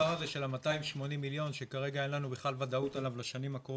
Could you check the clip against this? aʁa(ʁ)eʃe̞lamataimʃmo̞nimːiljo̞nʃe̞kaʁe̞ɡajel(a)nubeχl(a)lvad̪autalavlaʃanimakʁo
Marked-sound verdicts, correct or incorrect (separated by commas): incorrect, correct, correct